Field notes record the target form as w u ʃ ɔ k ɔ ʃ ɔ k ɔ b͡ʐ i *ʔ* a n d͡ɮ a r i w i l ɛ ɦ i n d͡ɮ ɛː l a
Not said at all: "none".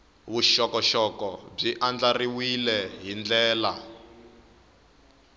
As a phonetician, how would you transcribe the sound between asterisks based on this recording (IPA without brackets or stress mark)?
ʔ